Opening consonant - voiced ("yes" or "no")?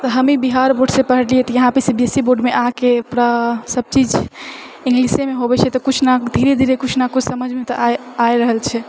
no